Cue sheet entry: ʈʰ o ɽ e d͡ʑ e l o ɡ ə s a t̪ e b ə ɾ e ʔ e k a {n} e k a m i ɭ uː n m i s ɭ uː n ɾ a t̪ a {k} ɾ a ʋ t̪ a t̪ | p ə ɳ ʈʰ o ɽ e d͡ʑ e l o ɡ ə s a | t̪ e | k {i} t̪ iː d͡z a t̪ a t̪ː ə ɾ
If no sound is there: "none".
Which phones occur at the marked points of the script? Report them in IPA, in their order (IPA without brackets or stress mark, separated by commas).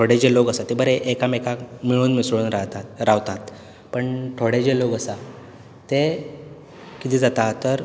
m, none, i